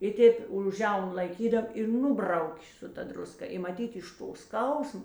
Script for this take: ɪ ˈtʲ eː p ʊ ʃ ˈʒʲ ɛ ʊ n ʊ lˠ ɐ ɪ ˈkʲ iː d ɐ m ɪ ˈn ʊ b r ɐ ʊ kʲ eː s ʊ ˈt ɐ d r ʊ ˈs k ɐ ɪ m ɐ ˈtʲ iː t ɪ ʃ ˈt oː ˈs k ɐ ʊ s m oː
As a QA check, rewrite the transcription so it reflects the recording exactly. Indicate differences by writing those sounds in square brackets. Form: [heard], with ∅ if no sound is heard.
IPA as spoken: ɪ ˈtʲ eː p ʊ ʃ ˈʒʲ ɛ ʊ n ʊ lˠ ɐ ɪ ˈkʲ iː d ɐ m ɪ ˈn ʊ b r ɐ ʊ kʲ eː s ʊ ˈt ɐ d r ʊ ˈs k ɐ ɪ m ɐ ˈtʲ iː t ɪ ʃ ˈt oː ˈs k ɐ ʊ s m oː